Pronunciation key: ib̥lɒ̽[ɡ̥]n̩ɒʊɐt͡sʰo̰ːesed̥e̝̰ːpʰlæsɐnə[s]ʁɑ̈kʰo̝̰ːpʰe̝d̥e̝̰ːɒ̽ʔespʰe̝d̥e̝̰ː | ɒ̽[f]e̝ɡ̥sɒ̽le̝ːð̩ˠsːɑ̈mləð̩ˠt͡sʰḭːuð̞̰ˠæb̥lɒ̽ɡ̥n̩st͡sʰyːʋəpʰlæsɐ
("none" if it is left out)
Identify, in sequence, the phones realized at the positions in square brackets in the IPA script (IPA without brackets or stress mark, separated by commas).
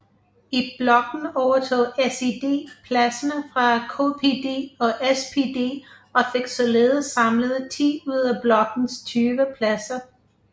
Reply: ɡ̥, f, f